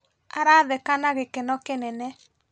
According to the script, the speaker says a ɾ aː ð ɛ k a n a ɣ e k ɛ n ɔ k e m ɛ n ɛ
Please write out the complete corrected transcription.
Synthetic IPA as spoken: a ɾ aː ð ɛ k a n a ɣ e k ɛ n ɔ k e n ɛ n ɛ